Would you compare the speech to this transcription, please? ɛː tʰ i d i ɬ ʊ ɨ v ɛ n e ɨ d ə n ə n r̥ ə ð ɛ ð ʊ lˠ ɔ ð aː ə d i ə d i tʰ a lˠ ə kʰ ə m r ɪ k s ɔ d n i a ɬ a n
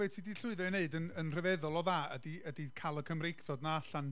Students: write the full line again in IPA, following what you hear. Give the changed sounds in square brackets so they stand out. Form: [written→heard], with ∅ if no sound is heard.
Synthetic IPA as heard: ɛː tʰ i d i ɬ ʊ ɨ [v→ð] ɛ n e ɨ d ə n ə n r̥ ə [ð→v] ɛ ð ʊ lˠ ɔ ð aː ə d i ə d i [tʰ→kʰ] a lˠ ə kʰ ə m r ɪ k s ɔ d n [i→a] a ɬ a n